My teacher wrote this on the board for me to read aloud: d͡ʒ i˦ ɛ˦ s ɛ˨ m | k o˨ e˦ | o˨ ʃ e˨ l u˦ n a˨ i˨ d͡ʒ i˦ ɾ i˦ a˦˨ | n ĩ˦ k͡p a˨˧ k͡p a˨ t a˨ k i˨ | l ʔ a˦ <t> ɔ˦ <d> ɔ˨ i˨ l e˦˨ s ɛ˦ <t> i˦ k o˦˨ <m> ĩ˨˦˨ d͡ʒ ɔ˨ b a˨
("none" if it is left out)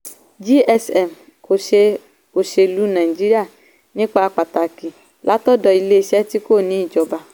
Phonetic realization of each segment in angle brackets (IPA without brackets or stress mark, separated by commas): t, d, t, n